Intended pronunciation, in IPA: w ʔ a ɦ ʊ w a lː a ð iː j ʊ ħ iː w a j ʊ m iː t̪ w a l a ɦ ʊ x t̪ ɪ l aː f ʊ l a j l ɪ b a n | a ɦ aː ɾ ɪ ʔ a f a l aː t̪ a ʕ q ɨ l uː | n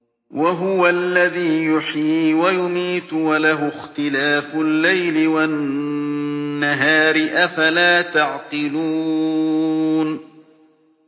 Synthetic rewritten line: w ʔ a ɦ ʊ w a lː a ð iː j ʊ ħ iː w a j ʊ m iː t̪ w a l a ɦ ʊ x t̪ ɪ l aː f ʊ lː a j l ɪ w a n | a ɦ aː ɾ ɪ ʔ a f a l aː t̪ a ʕ q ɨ l uː | n

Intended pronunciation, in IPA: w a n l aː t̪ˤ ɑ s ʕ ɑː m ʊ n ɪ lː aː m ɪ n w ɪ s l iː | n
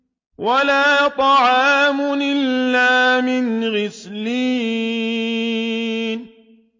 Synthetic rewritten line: w a l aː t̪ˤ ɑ ʕ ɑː m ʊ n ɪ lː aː m ɪ n ɣ ɪ s l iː | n

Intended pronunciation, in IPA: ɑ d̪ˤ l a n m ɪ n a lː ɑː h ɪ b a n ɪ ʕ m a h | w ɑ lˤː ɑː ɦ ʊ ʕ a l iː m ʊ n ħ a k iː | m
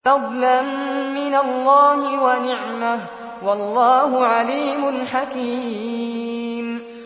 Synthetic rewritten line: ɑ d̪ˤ l a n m ɪ n a lː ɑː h ɪ w a n ɪ ʕ m a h | w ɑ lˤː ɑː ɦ ʊ ʕ a l iː m ʊ n ħ a k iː | m

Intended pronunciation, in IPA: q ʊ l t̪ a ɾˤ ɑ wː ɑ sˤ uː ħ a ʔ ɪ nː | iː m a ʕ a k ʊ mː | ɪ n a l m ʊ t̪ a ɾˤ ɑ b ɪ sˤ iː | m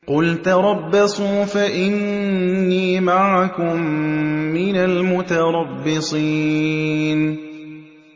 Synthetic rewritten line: q ʊ l t̪ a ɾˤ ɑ bː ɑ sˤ uː f a ʔ ɪ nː | iː m a ʕ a k ʊ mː | ɪ n a l m ʊ t̪ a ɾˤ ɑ bː ɪ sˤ iː | n

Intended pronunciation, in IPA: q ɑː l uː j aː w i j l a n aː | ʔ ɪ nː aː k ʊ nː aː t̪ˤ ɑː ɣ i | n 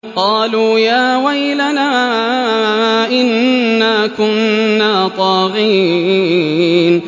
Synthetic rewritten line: q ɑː l uː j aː w a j l a n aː | ʔ ɪ nː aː k ʊ nː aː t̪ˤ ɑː ɣ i | n

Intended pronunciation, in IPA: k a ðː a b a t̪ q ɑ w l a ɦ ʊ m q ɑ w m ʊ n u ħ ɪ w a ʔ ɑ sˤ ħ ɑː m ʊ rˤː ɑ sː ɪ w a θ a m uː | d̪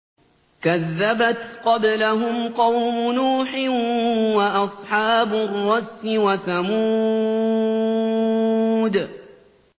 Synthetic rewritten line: k a ðː a b a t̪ q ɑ b l a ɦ ʊ m q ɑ w m ʊ n uː ħ ɪ w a ʔ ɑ sˤ ħ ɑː b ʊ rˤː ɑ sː ɪ w a θ a m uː | d̪

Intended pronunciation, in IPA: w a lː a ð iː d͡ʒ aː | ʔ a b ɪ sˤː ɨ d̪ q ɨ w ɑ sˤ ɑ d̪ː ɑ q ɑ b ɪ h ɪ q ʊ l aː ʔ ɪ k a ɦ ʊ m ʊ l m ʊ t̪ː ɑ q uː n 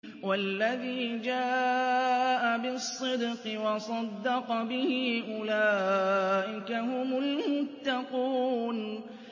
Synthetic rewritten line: w a lː a ð iː d͡ʒ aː | ʔ a b ɪ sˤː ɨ d̪ q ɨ w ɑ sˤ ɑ d̪ː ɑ q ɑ b ɪ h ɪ ʔ ʊ l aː ʔ ɪ k a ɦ ʊ m ʊ l m ʊ t̪ː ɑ q uː n

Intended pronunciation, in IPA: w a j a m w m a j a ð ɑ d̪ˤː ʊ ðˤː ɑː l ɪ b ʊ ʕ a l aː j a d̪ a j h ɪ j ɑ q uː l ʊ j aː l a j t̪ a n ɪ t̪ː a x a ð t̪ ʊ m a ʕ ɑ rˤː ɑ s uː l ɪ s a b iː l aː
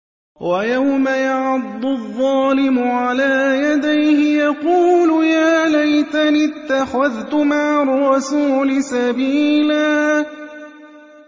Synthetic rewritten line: w a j a w m a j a ʕ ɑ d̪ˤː ʊ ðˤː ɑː l ɪ m ʊ ʕ a l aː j a d̪ a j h ɪ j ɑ q uː l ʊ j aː l a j t̪ a n ɪ t̪ː a x a ð t̪ ʊ m a ʕ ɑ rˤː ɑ s uː l ɪ s a b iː l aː

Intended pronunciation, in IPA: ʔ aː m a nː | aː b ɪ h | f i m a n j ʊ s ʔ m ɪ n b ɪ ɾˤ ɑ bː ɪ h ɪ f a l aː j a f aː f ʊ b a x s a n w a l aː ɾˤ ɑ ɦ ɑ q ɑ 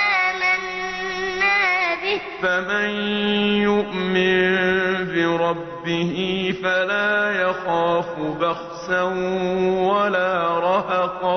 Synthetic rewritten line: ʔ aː m a nː | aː b ɪ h | f a m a n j ʊ ʔ m ɪ n b ɪ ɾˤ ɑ bː ɪ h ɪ f a l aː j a x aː f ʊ b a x s a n w a l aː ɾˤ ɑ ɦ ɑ q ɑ

